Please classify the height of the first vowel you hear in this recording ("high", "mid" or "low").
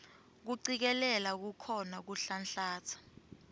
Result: high